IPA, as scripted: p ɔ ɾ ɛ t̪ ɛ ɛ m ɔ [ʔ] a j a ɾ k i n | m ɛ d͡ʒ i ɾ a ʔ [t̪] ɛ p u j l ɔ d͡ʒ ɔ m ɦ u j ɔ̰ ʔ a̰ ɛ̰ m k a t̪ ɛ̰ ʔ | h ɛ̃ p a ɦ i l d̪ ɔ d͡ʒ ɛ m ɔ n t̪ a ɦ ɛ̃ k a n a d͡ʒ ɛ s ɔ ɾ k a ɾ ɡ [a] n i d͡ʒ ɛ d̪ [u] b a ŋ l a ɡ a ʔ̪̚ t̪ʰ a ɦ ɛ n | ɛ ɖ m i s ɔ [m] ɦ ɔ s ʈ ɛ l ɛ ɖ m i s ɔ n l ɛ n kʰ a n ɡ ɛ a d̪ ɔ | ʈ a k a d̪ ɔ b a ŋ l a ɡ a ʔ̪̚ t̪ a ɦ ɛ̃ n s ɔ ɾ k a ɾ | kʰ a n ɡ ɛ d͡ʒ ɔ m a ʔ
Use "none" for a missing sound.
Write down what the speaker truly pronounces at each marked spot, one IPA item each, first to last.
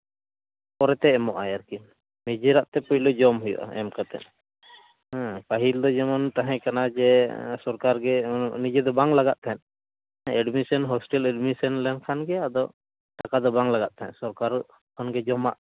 ʔ, t̪, ɛ, ɔ, n

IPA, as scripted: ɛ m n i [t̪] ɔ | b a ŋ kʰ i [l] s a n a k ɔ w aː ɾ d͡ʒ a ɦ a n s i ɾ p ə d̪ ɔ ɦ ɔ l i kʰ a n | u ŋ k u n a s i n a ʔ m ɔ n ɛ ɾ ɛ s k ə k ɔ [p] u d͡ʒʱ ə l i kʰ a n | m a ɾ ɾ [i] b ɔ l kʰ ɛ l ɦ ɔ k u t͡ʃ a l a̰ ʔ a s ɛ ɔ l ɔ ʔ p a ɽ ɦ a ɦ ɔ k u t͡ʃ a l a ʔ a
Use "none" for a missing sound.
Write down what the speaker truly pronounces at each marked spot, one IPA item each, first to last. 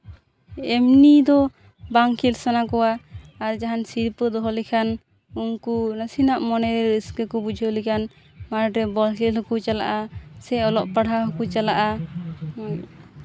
d̪, l, b, ɛ

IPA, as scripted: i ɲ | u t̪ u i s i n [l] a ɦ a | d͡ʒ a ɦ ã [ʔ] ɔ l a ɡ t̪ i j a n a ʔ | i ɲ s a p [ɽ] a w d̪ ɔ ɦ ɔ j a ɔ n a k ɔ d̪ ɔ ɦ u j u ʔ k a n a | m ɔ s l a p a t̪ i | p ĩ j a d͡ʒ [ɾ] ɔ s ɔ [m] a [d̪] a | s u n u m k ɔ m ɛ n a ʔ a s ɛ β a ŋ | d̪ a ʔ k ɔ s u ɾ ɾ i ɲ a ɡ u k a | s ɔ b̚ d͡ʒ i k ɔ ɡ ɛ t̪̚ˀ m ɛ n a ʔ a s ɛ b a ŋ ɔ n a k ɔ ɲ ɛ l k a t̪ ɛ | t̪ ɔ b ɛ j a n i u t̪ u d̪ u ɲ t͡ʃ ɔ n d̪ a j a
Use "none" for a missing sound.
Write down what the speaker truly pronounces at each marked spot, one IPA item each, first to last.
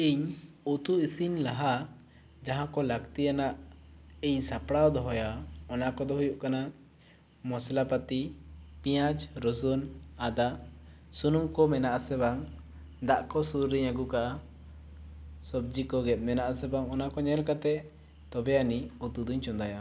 l, k, ɽ, ɾ, n, d̪

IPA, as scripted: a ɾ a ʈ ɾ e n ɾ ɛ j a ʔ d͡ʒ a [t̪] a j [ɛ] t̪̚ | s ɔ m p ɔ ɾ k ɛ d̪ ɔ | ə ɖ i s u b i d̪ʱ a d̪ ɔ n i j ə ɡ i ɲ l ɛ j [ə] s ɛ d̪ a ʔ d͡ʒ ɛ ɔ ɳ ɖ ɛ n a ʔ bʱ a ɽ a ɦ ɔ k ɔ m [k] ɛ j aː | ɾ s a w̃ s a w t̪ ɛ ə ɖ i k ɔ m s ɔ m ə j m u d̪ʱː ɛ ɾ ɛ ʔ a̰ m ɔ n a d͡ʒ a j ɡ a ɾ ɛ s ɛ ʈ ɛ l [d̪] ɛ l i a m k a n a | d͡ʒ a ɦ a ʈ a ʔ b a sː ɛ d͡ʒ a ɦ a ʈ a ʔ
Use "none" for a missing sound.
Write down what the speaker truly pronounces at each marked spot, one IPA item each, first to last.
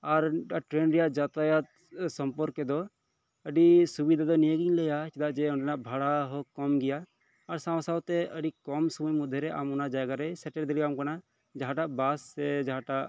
t̪, a, a, ɡ, d̪

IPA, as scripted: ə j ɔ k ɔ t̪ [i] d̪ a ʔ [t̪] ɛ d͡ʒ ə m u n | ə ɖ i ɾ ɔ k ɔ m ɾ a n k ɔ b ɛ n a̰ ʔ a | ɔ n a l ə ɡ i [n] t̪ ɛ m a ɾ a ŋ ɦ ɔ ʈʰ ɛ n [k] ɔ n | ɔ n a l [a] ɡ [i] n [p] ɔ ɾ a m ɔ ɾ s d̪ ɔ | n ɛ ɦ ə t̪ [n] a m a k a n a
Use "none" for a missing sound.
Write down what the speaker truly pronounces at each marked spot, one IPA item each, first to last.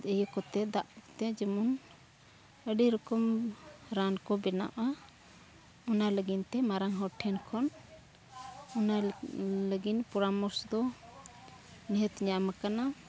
ɛ, t̪, n, kʰ, ə, i, p, ɲ

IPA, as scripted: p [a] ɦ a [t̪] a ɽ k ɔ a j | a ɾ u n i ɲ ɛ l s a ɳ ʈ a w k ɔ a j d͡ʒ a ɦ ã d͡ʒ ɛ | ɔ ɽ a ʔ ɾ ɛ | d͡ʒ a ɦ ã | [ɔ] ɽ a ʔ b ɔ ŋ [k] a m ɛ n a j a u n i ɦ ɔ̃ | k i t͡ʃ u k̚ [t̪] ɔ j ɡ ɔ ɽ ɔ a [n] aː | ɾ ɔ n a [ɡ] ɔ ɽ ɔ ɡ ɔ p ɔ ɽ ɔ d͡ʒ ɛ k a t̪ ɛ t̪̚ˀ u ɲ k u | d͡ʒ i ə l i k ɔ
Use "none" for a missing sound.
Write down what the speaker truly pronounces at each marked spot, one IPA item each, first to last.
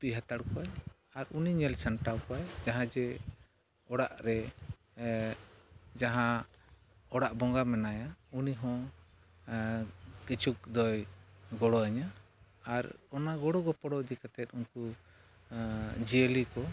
i, t̪, ɔ, ɡ, d̪, ɲ, ɡ

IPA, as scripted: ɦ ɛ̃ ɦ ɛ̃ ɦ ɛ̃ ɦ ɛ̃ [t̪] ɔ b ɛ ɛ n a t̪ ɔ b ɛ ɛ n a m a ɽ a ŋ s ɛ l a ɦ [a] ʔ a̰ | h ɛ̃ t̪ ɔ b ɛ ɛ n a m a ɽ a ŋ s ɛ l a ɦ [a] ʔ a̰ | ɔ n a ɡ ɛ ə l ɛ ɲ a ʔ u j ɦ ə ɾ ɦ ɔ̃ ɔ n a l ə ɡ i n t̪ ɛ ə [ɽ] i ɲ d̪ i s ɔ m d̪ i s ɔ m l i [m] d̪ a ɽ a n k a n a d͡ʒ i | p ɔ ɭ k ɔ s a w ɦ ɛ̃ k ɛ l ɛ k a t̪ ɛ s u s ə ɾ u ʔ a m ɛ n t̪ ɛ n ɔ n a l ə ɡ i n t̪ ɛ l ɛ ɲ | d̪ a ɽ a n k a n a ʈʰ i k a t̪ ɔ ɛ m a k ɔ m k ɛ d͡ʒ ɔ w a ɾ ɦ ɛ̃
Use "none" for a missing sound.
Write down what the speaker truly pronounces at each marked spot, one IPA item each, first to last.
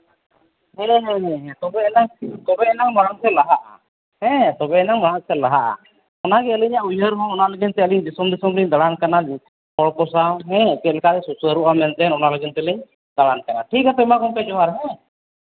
t̪, a, a, l, ɲ

